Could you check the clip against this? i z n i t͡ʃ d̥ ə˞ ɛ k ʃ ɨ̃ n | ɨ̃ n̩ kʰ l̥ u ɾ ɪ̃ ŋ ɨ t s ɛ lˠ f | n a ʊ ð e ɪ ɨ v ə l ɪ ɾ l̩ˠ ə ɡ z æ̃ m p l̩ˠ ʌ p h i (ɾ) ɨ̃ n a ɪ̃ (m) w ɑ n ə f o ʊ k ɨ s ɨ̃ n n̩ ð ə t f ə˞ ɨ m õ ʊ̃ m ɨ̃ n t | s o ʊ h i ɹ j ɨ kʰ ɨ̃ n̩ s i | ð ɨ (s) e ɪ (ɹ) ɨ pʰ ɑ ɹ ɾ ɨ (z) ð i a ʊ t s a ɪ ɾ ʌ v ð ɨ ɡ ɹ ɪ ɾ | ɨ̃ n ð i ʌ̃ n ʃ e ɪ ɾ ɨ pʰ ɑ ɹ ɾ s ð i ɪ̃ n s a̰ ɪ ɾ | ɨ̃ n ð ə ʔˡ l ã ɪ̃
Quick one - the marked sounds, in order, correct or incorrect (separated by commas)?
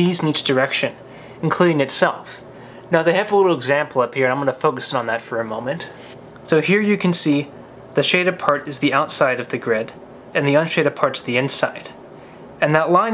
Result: incorrect, correct, incorrect, incorrect, correct